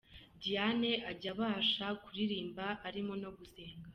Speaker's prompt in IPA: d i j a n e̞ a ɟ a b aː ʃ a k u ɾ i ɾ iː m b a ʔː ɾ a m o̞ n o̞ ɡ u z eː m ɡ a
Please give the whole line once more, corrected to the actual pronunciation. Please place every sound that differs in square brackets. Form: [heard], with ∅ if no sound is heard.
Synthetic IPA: d i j a n e̞ a ɟ a [β] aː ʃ a k u ɾ i ɾ iː m b a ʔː ɾ [i] m o̞ n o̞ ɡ u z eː [ŋ] ɡ a